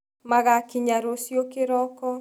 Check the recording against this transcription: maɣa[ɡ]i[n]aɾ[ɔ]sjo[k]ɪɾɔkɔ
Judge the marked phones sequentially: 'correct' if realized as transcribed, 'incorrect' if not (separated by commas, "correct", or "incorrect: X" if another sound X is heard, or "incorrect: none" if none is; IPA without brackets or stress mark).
incorrect: k, incorrect: ɲ, incorrect: o, correct